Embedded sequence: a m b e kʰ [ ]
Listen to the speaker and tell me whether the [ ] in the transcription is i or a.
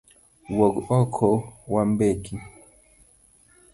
i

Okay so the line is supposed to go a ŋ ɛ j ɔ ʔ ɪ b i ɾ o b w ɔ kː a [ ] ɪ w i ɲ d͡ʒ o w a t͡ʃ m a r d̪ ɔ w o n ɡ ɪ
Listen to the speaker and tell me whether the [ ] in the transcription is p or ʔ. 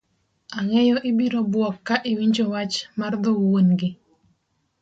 ʔ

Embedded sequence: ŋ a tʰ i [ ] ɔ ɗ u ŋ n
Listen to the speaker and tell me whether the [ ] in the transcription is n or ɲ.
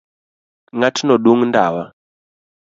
n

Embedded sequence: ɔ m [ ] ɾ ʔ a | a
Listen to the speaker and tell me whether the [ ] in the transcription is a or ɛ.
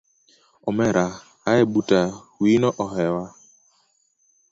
ɛ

